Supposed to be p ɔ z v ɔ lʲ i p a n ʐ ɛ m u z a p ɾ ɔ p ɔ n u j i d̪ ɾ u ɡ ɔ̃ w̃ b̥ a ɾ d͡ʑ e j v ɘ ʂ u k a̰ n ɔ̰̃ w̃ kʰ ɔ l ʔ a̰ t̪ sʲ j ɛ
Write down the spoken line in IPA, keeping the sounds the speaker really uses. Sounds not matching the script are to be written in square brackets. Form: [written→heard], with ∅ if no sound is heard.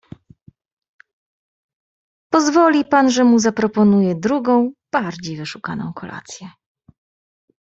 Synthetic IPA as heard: p ɔ z v ɔ lʲ i p a n ʐ ɛ m u z a p ɾ ɔ p ɔ n u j [i→ɛ] d̪ ɾ u ɡ ɔ̃ w̃ b̥ a ɾ d͡ʑ e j v ɘ ʂ u k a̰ n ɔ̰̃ w̃ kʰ ɔ l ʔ a̰ t̪ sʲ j ɛ

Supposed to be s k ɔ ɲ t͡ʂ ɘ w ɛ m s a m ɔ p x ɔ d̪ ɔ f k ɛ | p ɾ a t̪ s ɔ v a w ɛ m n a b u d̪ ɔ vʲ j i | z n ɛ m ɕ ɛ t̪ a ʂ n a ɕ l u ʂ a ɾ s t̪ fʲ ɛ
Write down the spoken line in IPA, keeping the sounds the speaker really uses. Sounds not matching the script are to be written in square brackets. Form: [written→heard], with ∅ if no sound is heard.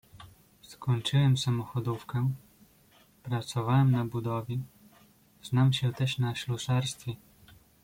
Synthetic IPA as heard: s k ɔ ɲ t͡ʂ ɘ w ɛ m s a m ɔ [p→∅] x ɔ d̪ [ɔ→u] f k ɛ | p ɾ a t̪ s ɔ v a w ɛ m n a b u d̪ ɔ vʲ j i | z n [ɛ→a] m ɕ ɛ t̪ [a→ɛ] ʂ n a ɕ l u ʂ a ɾ s t̪ fʲ ɛ

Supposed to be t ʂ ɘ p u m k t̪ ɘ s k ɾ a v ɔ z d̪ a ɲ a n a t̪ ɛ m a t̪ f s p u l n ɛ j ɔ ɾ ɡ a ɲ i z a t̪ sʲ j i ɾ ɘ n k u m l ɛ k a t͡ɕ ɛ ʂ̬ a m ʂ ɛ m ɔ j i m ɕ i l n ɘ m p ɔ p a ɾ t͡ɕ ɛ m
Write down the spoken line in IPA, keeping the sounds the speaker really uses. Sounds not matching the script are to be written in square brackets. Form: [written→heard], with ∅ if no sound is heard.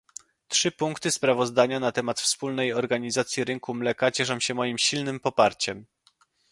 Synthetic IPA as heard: t ʂ ɘ p u [m→ŋ] k t̪ ɘ s [k→p] ɾ a v ɔ z d̪ a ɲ a n a t̪ ɛ m a t̪ f s p u l n ɛ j ɔ ɾ ɡ a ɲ i z a t̪ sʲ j i ɾ ɘ [n→ŋ] k u m l ɛ k a t͡ɕ ɛ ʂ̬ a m [ʂ→ɕ] ɛ m ɔ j i m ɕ i l n ɘ m p ɔ p a ɾ t͡ɕ ɛ m

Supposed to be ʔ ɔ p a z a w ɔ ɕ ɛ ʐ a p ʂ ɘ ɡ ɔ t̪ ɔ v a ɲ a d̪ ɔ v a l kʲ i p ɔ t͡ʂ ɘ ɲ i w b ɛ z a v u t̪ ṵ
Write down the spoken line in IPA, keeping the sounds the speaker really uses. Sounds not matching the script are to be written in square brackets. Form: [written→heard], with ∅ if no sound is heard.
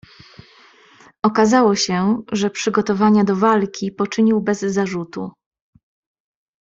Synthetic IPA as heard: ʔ ɔ [p→k] a z a w ɔ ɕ ɛ ʐ [a→ɛ] p ʂ ɘ ɡ ɔ t̪ ɔ v a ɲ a d̪ ɔ v a l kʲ i p ɔ t͡ʂ ɘ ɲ i w b ɛ [z→zː] a [v→ʐ] u t̪ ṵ

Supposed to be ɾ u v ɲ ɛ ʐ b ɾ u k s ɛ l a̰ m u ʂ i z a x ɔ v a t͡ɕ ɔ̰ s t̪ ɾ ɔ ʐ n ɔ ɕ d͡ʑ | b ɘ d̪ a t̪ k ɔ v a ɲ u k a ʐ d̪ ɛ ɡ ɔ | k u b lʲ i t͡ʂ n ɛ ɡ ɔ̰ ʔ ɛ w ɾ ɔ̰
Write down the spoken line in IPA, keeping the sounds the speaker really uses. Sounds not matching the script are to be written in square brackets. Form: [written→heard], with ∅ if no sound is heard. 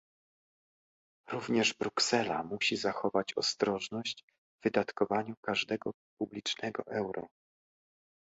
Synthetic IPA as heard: ɾ u v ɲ ɛ ʐ b ɾ u k s ɛ l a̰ m u [ʂ→ɕ] i z a x ɔ v a t͡ɕ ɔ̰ s t̪ ɾ ɔ ʐ n ɔ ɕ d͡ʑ | [b→v] ɘ d̪ a t̪ k ɔ v a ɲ u k a ʐ d̪ ɛ ɡ ɔ | [k→p] u b lʲ i t͡ʂ n ɛ ɡ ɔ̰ ʔ ɛ w ɾ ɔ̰

